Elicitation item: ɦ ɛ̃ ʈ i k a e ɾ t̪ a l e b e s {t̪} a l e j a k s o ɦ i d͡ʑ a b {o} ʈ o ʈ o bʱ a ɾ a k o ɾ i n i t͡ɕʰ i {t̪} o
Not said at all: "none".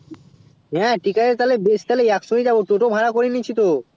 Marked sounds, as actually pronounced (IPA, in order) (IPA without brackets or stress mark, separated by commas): t̪, o, t̪